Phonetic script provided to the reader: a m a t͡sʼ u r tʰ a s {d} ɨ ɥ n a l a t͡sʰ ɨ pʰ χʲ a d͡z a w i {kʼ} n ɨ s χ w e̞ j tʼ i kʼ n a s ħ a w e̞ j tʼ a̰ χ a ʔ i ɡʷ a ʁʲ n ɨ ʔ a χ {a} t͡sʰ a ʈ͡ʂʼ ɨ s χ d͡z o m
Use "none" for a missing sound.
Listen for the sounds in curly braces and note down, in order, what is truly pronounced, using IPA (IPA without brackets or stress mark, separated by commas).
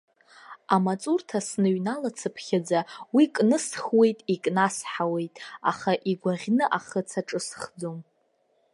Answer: n, kʼ, ə